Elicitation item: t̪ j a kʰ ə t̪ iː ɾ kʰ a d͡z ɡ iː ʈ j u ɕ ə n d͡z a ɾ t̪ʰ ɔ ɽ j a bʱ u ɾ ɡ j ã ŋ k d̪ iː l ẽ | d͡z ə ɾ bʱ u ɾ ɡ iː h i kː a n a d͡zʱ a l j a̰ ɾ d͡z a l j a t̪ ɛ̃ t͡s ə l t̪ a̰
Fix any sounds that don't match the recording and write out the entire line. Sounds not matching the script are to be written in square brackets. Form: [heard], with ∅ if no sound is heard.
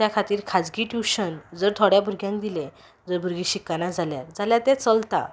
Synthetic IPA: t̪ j a kʰ [a] t̪ iː ɾ kʰ a d͡z ɡ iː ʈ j u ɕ ə n d͡z [ə] ɾ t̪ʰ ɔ ɽ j a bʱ u ɾ ɡ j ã ŋ k d̪ [i] l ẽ | d͡z ə ɾ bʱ u ɾ ɡ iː [ɕ] i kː a n a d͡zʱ a l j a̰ ɾ d͡z a l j a t̪ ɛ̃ t͡s ə l t̪ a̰